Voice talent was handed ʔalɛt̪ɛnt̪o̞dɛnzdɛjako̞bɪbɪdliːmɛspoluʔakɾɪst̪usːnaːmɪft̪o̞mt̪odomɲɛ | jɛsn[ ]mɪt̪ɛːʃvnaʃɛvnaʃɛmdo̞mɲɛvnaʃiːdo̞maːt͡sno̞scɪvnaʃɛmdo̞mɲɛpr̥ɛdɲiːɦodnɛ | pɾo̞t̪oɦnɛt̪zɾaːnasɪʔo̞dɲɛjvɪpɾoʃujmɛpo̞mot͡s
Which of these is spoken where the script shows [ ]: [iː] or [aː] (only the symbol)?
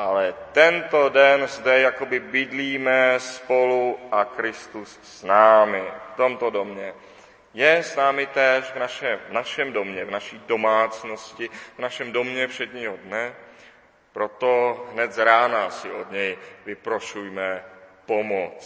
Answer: aː